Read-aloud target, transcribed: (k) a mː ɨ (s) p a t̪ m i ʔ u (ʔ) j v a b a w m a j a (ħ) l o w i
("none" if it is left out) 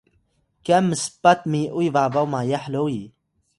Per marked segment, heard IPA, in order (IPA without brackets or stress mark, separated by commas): k, s, none, ħ